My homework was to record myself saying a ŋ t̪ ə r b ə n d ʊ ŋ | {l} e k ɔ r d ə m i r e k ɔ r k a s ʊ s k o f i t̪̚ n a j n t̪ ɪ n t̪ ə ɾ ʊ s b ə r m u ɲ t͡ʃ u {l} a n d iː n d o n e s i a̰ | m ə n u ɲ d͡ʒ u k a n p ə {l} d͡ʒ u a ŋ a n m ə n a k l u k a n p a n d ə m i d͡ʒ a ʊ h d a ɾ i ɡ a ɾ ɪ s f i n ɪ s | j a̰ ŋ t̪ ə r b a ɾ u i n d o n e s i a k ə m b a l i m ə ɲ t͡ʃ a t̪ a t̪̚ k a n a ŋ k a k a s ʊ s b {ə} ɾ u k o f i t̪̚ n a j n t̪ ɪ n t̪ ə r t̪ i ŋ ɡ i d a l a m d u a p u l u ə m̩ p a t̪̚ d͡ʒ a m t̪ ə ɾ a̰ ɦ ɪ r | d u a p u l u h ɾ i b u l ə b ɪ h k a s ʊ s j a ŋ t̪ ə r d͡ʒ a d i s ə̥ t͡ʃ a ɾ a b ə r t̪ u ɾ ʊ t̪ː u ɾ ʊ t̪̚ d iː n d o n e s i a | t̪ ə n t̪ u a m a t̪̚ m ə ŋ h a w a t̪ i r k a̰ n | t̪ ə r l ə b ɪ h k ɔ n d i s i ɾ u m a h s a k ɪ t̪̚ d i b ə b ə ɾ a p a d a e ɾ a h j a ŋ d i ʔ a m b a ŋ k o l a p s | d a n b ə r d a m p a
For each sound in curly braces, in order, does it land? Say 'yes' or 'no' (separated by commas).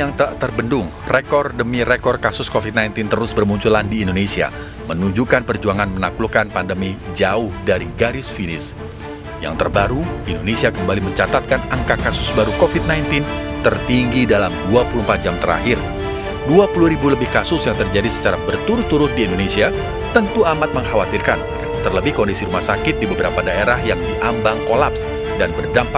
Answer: no, yes, no, no